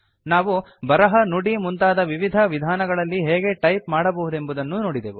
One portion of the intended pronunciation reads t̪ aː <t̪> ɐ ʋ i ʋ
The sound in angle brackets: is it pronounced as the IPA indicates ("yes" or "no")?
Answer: no